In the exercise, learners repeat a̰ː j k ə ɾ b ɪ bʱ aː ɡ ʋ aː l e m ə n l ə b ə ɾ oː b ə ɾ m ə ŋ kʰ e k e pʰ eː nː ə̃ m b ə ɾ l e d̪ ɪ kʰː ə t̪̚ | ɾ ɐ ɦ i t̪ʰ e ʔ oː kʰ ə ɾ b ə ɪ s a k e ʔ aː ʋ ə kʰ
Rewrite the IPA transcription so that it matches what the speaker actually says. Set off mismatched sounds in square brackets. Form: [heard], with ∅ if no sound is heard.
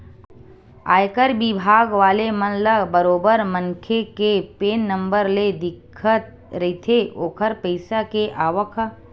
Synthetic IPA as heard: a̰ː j k ə ɾ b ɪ bʱ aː ɡ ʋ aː l e m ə n l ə b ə ɾ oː b ə ɾ m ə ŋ kʰ e k e [p] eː nː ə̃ m b ə ɾ l e d̪ ɪ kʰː ə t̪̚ | ɾ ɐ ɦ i t̪ʰ e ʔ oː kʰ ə ɾ [p] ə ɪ s a k e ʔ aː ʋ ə kʰ